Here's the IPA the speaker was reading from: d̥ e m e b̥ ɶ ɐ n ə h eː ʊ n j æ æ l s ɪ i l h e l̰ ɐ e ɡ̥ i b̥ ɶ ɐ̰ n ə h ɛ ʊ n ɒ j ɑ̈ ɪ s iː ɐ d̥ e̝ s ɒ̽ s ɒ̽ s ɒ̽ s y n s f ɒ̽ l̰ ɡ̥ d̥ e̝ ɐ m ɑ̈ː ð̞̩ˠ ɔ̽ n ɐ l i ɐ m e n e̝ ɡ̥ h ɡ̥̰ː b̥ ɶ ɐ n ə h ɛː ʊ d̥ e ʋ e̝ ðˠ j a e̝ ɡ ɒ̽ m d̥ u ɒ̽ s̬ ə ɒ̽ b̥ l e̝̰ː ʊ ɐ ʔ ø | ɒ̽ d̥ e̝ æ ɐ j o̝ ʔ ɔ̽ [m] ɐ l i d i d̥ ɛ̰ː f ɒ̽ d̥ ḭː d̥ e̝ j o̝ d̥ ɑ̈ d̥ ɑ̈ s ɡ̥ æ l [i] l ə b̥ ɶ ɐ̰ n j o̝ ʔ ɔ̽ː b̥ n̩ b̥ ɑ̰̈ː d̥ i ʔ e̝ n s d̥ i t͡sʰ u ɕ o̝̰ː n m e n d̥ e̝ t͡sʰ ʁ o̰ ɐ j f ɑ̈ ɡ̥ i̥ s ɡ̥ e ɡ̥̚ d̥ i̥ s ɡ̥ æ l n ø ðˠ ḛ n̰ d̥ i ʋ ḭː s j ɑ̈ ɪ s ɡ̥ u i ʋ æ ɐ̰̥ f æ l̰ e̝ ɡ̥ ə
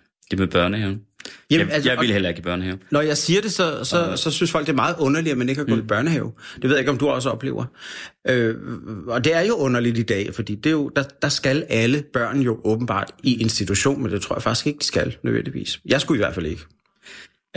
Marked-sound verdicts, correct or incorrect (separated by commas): incorrect, incorrect